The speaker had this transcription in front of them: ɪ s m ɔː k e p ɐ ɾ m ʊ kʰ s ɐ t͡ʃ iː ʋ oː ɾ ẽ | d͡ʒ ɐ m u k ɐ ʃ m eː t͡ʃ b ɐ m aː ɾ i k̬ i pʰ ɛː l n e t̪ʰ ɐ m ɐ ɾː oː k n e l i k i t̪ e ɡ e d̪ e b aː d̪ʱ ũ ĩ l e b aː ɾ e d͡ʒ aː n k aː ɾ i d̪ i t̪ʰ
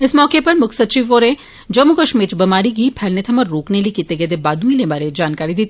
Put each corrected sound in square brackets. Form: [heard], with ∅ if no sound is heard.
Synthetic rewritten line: ɪ s m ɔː k e p ɐ ɾ m ʊ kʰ s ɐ t͡ʃ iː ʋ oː ɾ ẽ | d͡ʒ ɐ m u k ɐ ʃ m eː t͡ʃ b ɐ m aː ɾ i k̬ i pʰ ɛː l n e t̪ʰ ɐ m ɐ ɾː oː k n e l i k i t̪ e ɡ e d̪ e b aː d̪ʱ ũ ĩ l e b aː ɾ e d͡ʒ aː n k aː ɾ i d̪ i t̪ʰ